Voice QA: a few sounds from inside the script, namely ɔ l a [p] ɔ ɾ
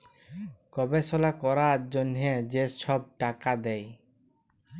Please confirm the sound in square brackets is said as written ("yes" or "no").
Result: no